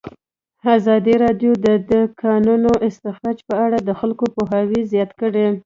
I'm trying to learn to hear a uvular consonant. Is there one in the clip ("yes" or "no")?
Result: no